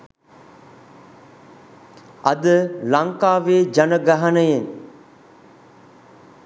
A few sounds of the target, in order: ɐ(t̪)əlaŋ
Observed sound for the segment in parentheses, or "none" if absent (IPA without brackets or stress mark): d̪